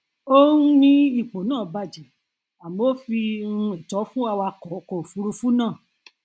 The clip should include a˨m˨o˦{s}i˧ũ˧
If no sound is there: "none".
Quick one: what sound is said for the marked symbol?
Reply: f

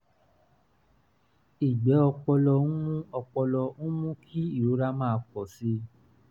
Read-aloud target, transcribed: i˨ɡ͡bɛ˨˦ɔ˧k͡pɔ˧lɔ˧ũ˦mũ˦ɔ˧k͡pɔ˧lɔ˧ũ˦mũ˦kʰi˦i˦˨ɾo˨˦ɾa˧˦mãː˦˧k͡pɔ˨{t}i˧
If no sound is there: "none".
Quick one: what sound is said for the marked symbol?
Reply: s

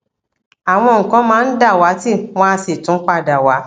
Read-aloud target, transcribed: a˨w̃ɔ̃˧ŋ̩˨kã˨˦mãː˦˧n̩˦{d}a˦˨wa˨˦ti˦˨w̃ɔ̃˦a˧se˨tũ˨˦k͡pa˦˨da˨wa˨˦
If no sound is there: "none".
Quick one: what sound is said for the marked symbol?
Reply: d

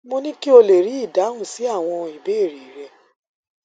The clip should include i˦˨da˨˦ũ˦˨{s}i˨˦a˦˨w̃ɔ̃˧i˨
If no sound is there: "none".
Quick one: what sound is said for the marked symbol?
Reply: s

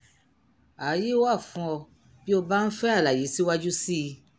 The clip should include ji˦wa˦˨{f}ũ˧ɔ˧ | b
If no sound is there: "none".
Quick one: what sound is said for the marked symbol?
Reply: f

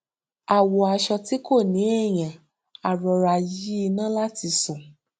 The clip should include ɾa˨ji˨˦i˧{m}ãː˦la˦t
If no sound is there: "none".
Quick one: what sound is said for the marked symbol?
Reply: n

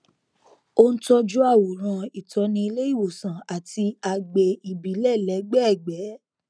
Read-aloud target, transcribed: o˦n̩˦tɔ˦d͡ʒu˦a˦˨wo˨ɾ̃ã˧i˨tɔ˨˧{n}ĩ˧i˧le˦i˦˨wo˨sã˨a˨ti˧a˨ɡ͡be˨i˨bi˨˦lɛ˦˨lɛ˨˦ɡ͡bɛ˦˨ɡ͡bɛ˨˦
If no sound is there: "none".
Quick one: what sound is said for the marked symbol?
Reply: n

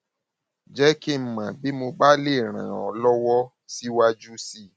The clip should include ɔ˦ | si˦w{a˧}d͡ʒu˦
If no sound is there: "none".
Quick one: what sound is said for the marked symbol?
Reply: a˧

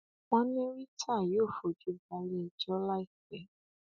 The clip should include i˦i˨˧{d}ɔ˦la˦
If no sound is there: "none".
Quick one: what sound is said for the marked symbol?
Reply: d͡ʒ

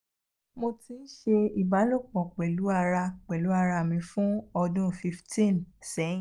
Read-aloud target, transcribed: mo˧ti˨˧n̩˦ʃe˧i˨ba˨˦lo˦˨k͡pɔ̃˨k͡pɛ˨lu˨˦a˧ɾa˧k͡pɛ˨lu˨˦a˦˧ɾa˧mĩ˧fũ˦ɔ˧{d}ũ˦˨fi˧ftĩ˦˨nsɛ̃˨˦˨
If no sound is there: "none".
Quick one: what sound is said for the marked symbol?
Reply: d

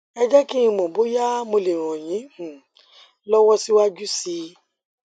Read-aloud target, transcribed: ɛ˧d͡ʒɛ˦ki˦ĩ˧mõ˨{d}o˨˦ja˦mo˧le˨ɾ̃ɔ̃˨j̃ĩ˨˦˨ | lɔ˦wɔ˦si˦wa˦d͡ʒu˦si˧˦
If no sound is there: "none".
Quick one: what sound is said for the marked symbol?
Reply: b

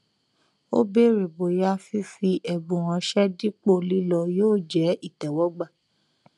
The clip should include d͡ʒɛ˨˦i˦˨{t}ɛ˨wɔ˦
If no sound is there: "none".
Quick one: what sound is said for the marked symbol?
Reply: t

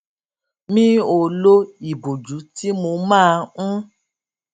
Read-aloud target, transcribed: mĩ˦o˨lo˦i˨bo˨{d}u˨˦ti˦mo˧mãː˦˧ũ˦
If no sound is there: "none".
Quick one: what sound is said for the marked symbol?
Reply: d͡ʒ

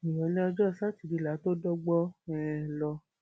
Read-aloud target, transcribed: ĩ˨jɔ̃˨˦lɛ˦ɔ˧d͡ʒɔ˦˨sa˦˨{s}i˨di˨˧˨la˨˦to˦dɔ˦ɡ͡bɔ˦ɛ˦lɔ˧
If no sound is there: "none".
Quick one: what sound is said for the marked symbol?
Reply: t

